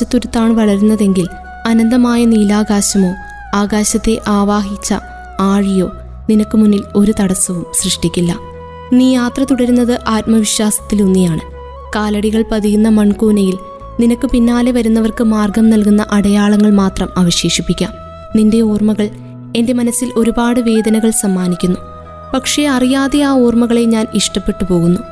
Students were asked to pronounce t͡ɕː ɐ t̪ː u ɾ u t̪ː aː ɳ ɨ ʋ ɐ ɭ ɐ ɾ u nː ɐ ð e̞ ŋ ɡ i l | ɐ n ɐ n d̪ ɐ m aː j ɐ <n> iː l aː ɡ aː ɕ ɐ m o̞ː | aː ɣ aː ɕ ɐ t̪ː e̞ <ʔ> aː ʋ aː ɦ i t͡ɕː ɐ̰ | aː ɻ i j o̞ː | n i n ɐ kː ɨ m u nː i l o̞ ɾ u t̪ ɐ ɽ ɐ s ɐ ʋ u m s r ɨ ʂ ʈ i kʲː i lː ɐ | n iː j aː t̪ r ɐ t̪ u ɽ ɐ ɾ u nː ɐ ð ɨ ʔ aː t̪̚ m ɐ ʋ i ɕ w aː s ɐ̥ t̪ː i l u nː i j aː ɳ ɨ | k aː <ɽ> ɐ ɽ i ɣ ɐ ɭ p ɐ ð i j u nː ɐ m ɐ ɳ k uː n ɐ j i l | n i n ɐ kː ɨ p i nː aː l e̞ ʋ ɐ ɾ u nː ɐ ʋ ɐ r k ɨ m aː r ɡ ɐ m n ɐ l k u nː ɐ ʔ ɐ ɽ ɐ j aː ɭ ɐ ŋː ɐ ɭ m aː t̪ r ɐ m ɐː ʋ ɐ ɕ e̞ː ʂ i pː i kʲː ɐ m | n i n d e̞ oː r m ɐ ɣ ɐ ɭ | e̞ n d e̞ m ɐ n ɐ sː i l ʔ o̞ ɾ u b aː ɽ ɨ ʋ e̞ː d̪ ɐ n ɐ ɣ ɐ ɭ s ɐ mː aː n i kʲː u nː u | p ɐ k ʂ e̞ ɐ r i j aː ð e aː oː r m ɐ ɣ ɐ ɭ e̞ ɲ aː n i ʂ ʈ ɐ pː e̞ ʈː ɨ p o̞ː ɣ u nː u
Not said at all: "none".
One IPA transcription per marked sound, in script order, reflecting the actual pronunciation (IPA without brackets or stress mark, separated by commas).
n, ʔ, l